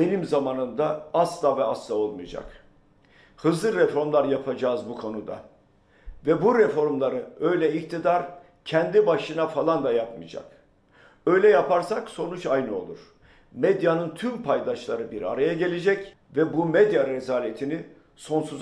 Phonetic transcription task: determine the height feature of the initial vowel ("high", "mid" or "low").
mid